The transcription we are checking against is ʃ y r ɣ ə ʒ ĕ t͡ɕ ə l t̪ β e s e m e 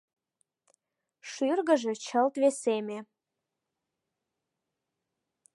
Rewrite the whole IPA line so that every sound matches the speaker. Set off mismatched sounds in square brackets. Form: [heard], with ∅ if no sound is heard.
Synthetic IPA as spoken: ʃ y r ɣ ə ʒ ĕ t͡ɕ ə l t̪ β e s e m e